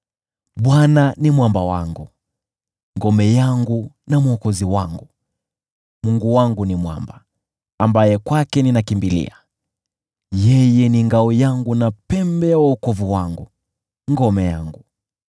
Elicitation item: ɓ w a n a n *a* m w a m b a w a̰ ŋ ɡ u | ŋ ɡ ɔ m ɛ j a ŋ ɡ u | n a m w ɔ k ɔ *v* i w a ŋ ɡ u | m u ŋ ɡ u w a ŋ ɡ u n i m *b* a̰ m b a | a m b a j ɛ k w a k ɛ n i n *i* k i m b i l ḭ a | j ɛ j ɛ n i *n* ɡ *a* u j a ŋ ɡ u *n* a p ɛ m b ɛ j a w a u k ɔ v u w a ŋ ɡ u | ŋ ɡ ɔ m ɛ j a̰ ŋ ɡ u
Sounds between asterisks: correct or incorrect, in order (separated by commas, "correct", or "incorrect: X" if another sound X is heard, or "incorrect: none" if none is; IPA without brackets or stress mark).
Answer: incorrect: i, incorrect: z, incorrect: w, incorrect: a, incorrect: ŋ, correct, correct